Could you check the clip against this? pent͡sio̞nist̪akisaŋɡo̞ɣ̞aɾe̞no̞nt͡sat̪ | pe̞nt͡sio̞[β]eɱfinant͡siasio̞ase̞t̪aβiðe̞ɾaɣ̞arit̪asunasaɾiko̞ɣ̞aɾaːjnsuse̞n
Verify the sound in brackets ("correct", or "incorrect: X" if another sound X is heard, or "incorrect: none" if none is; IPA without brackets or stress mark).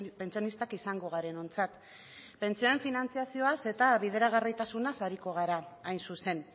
incorrect: none